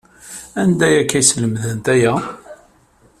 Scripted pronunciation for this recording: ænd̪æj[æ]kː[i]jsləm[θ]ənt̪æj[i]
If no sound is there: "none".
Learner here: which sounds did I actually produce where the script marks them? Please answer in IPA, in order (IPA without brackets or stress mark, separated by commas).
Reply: æ, æ, ð, æ